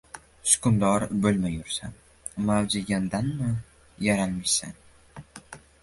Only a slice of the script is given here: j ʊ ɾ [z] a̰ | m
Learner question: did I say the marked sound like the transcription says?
no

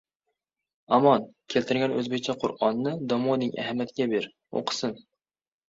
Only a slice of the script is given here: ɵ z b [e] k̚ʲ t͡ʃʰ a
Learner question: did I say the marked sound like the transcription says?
yes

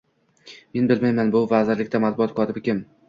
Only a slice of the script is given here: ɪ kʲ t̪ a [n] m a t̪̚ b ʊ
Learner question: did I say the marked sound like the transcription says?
no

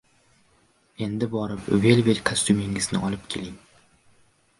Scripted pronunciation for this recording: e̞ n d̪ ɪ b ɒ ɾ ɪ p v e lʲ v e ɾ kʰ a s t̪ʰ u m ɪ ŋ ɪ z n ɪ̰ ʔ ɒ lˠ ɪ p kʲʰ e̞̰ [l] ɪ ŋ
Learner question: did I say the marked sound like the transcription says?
yes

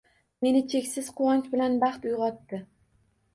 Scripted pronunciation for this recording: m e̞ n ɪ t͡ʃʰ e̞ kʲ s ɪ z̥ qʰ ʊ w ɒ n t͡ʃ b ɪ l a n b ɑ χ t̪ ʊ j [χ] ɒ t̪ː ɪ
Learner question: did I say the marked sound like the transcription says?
no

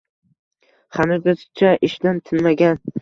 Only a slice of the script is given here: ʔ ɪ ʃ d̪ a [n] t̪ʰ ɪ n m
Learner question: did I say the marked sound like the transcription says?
yes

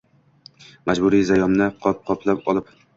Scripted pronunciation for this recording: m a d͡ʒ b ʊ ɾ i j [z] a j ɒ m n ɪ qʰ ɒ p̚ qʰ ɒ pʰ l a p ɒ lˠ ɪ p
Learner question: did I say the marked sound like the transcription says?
yes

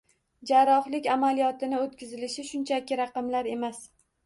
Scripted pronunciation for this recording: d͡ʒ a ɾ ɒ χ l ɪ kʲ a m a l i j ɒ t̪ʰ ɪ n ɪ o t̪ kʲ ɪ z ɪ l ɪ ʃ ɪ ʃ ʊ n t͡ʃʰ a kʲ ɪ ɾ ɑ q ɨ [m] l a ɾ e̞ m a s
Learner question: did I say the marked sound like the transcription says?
yes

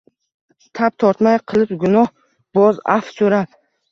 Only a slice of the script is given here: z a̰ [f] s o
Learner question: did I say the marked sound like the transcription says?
yes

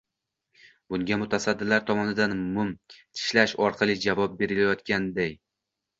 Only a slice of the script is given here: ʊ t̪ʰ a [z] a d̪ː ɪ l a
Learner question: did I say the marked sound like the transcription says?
no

